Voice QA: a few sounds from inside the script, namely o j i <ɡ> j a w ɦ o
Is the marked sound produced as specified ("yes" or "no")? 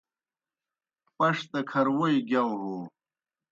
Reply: yes